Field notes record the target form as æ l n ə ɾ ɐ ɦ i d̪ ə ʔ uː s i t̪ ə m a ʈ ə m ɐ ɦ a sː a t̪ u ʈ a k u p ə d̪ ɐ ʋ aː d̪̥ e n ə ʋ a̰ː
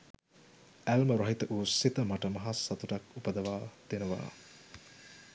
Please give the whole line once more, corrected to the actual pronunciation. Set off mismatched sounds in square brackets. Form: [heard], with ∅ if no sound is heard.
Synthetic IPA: æ l [m] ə ɾ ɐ ɦ i [t̪] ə ʔ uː s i t̪ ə m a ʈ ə m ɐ ɦ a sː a t̪ u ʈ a k u p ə d̪ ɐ ʋ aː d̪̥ e n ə ʋ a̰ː